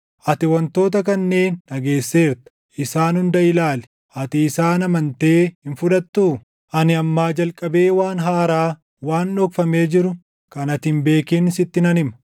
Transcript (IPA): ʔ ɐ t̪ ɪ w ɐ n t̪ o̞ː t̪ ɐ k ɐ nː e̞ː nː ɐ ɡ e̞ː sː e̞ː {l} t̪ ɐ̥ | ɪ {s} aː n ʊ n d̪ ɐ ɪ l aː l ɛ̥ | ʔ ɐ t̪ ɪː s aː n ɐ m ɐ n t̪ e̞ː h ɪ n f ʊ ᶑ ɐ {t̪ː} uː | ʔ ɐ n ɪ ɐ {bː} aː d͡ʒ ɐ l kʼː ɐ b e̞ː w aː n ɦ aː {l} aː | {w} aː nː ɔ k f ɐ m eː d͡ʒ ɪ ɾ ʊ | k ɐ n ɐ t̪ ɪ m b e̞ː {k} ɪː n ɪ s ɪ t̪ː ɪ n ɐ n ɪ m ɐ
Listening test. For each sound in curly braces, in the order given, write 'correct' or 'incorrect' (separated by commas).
incorrect, correct, correct, incorrect, incorrect, correct, correct